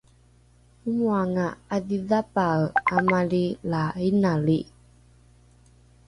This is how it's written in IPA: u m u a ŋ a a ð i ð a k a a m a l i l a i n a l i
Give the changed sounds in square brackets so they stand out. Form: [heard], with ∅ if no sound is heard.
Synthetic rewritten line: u m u a ŋ a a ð i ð a [p] a a m a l i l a i n a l i